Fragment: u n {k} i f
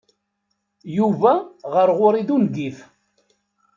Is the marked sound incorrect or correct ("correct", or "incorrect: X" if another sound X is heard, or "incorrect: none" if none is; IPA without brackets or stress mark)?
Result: incorrect: ɡ